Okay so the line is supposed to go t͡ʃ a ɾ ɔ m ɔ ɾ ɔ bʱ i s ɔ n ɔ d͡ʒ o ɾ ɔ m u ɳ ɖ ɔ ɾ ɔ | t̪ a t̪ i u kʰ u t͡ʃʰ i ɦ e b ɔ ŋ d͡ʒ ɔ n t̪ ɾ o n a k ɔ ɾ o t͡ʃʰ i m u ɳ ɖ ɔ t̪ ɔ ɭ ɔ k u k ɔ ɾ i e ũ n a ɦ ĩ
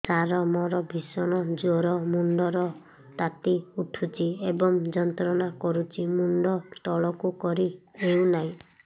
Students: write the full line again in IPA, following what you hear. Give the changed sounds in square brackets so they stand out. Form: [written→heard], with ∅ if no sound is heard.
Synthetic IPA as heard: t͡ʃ a ɾ ɔ m ɔ ɾ ɔ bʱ i s ɔ n ɔ d͡ʒ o ɾ ɔ m u ɳ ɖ ɔ ɾ ɔ | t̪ a t̪ i u [kʰ→ʈʰ] u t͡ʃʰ i [ɦ→∅] e b ɔ ŋ d͡ʒ ɔ n t̪ ɾ [o→ɔ] n a k ɔ ɾ [o→u] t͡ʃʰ i m u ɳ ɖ ɔ t̪ ɔ ɭ ɔ k u k ɔ ɾ i e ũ n a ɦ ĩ